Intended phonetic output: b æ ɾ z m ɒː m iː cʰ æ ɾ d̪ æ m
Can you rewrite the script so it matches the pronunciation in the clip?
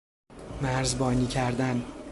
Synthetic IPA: m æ ɾ z b ɒː n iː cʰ æ ɾ d̪ æ n